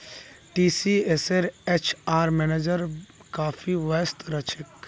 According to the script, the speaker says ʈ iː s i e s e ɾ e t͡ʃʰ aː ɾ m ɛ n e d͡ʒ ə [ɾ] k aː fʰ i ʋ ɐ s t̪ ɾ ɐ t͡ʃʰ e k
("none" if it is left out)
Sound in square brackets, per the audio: ɾ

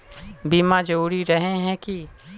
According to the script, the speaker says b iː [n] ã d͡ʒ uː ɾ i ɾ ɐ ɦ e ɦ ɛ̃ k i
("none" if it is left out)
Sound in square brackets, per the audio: m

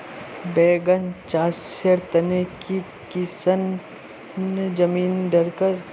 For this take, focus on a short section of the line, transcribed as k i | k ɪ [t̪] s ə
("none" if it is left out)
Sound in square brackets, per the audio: none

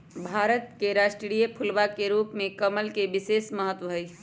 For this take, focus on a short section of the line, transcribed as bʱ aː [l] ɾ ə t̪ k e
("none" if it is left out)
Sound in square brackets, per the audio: none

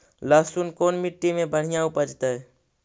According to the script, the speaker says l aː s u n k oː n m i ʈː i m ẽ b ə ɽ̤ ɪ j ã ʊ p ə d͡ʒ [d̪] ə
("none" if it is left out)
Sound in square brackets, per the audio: t̪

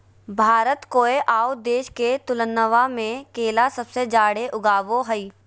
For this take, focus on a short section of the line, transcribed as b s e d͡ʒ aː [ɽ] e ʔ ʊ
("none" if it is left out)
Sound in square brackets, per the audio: ɽ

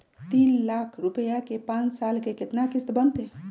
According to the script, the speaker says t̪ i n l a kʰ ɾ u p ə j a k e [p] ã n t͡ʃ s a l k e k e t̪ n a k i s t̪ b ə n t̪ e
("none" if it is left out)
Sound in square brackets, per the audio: p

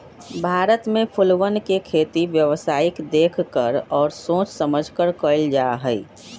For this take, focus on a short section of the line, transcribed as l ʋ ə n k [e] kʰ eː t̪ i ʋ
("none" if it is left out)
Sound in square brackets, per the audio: e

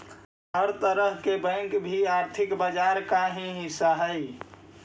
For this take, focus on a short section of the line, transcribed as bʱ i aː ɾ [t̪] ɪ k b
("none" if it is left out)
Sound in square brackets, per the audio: t̪ʰ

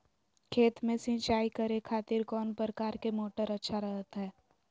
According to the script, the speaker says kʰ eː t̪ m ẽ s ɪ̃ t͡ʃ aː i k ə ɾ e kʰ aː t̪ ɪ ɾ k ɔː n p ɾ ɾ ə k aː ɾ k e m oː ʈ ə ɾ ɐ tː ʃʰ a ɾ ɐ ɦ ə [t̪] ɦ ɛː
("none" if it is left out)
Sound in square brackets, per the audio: t̪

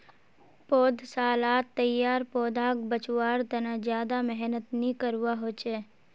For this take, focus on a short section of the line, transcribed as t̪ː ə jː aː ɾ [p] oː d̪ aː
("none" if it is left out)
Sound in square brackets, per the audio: p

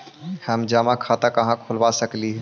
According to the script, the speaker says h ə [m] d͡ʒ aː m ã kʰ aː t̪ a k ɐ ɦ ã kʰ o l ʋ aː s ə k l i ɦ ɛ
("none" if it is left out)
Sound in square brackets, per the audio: m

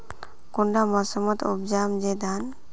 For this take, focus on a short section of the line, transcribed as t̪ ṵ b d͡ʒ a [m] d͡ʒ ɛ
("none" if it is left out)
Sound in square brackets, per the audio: m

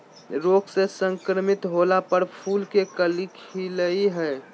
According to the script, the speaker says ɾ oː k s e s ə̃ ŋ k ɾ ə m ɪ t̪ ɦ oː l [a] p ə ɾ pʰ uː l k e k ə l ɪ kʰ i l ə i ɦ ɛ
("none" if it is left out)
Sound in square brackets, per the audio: a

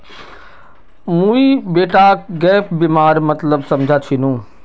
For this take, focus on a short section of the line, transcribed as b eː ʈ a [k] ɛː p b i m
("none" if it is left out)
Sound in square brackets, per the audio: ɡ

